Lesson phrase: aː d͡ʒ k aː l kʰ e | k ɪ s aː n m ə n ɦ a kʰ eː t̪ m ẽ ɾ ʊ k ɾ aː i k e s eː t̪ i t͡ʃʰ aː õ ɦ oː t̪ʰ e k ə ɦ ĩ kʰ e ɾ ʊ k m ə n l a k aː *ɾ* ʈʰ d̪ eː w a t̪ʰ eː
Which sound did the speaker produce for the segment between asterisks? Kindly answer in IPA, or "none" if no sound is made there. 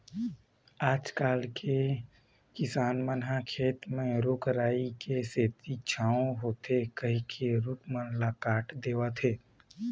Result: none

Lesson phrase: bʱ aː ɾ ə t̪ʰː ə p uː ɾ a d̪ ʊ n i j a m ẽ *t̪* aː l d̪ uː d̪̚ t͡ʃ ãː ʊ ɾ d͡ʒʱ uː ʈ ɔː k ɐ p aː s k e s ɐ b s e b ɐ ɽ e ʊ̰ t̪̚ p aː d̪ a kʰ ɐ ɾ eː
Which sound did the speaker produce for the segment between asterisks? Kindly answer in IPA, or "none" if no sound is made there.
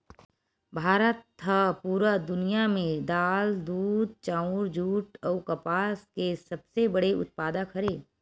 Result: d̪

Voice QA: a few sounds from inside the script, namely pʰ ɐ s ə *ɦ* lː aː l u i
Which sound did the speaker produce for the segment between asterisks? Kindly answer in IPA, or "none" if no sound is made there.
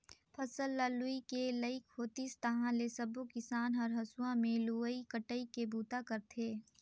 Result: none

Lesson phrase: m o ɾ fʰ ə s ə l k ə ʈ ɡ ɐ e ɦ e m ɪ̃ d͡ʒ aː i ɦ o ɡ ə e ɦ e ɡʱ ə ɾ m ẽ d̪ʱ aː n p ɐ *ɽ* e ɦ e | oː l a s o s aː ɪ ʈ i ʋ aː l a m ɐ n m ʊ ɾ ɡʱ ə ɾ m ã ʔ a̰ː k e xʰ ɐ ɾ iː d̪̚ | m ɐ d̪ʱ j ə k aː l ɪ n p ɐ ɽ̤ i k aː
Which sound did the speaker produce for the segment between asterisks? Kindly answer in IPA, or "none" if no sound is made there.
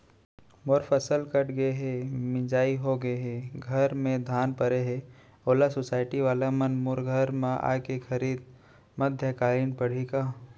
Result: ɾ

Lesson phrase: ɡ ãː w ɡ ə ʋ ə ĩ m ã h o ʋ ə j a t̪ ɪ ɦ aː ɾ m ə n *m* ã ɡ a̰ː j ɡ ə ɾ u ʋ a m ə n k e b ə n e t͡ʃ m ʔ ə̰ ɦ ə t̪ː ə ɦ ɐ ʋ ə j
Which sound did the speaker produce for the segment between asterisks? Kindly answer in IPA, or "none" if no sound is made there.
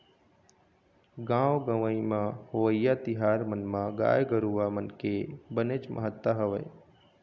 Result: m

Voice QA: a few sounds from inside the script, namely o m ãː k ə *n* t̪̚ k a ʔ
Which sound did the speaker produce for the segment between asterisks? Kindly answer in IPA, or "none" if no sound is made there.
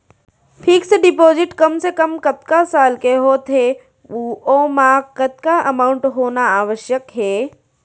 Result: none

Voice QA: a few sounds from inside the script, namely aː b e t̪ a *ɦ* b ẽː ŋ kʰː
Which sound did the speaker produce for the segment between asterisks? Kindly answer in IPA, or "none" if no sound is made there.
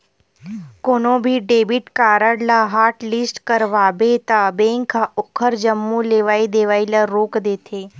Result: none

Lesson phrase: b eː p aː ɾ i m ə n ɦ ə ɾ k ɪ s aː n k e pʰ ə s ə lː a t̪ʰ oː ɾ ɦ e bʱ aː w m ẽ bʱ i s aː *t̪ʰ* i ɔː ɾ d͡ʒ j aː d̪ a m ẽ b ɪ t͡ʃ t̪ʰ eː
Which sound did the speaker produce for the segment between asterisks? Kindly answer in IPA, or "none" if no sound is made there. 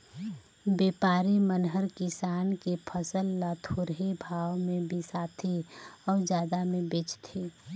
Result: t̪ʰ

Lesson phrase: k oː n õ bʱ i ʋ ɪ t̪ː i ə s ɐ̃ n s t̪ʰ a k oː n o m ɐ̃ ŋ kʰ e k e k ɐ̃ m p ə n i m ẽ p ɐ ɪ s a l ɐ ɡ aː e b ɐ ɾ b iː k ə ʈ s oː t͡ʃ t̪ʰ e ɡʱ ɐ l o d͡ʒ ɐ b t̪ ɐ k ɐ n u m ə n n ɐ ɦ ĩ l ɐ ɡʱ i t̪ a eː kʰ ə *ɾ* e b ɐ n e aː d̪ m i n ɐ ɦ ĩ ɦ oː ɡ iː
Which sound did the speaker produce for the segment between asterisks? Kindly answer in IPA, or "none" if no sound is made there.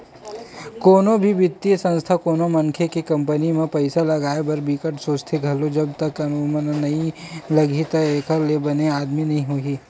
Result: l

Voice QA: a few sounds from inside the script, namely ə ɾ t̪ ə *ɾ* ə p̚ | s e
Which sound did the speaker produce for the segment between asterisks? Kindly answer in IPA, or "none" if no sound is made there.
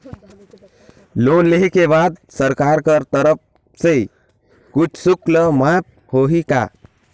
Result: ɾ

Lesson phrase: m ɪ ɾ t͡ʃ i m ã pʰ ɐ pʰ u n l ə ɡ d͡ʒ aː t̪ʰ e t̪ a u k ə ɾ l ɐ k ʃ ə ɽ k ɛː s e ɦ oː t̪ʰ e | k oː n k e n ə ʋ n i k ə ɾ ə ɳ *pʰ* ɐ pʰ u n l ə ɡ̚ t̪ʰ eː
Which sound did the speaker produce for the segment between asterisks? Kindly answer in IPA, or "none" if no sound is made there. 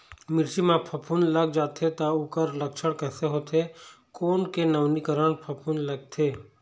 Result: pʰ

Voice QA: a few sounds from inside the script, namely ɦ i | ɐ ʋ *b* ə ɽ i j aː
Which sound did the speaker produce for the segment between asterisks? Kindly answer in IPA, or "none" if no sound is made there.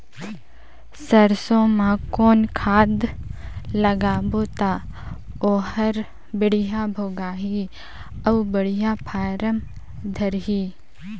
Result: b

